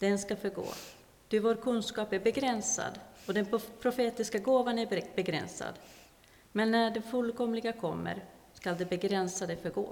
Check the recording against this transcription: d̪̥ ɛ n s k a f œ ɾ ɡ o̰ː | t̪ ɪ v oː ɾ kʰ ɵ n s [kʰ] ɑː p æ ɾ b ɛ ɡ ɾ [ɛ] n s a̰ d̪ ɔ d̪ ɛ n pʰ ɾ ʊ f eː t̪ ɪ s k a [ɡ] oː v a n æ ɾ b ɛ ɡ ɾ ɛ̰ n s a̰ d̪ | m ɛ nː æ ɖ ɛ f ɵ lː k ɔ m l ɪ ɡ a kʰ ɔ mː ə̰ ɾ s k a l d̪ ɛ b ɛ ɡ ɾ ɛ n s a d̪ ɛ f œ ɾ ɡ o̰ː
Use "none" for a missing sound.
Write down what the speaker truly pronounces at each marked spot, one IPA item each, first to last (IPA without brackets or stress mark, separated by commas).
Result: k, ɛ, ɡ